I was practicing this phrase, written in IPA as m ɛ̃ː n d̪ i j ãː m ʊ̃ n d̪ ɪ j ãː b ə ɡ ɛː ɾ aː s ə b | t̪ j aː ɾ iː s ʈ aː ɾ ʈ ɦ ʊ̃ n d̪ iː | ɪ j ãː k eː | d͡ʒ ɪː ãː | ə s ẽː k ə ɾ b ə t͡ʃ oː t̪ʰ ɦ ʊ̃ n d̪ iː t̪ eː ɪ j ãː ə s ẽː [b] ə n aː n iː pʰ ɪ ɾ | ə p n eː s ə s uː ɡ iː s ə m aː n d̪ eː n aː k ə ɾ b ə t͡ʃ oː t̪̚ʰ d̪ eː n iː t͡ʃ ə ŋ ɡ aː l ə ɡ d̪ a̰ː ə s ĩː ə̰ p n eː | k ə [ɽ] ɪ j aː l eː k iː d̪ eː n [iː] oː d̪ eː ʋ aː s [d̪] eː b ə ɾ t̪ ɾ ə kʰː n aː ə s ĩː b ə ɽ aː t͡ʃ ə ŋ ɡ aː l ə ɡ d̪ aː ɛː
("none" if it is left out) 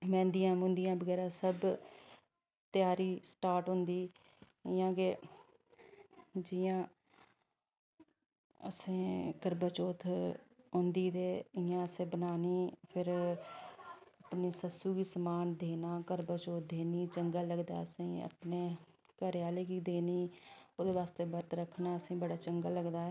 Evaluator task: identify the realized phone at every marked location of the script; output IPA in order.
b, ɾ, iː, t̪

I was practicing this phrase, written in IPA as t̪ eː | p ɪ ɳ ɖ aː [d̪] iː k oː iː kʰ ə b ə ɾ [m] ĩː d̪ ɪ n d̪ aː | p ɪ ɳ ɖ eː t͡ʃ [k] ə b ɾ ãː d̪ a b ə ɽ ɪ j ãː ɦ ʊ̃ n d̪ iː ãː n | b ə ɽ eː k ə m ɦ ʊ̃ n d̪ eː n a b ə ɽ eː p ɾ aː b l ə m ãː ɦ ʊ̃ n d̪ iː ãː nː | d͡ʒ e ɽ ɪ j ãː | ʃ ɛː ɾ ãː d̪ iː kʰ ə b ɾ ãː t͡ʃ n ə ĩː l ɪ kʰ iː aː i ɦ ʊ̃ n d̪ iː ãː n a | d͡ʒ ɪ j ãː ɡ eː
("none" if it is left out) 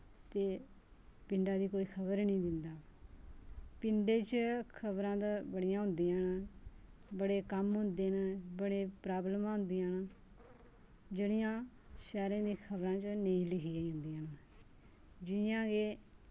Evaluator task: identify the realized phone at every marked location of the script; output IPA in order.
d̪, n, kʰ

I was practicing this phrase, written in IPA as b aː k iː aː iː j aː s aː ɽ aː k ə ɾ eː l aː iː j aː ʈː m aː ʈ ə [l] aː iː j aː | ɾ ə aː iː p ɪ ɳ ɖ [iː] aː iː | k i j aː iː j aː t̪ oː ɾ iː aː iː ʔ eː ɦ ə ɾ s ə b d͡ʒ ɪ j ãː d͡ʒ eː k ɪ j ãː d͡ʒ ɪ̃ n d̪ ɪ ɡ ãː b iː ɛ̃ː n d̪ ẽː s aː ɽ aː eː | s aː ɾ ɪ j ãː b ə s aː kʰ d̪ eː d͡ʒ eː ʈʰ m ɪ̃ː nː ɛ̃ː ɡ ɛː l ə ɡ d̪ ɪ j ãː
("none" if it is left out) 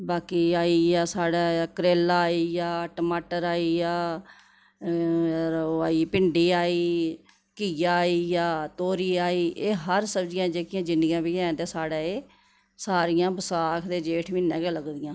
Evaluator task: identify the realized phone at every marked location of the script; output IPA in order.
ɾ, iː

